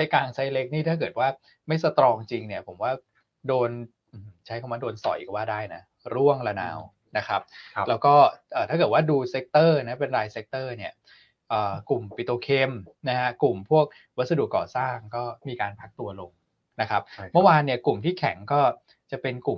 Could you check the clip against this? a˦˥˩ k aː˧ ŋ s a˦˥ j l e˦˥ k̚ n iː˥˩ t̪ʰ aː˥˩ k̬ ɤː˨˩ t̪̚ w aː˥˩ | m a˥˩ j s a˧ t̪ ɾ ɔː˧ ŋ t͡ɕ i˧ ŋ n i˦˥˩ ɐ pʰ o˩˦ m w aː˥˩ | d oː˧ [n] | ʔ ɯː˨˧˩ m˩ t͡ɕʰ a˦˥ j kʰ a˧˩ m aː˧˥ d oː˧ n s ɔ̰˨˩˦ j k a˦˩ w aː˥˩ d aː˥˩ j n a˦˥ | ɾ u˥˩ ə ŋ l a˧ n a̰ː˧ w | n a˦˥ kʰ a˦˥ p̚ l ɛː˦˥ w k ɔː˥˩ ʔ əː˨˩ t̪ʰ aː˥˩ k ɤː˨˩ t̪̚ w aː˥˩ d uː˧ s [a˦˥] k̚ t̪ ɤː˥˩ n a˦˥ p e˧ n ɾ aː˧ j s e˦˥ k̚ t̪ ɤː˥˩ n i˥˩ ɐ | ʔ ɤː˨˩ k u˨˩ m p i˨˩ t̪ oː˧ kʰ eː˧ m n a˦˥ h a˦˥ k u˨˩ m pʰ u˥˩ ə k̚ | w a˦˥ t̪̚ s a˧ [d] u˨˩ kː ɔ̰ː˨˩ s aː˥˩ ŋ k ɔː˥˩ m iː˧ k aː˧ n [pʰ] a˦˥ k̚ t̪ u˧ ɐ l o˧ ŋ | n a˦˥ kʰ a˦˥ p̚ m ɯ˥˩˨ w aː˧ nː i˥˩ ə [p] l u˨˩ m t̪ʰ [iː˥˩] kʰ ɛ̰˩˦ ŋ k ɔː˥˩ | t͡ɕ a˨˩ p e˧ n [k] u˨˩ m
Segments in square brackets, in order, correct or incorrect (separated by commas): correct, incorrect, correct, correct, incorrect, correct, correct